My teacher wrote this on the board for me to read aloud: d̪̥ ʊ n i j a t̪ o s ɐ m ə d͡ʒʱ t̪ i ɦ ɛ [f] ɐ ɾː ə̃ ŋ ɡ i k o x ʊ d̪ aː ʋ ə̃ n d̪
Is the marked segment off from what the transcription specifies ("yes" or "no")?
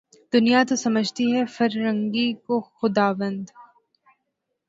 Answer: no